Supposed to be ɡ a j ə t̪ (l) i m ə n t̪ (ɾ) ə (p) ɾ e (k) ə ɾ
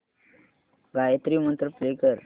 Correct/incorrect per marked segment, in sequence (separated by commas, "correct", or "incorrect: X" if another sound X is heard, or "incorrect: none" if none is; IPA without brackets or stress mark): incorrect: ɾ, correct, correct, correct